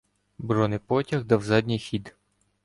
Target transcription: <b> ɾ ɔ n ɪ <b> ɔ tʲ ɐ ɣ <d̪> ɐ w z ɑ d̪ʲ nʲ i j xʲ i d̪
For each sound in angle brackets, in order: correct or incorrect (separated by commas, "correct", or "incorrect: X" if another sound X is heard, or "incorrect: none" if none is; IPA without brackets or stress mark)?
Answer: correct, incorrect: p, correct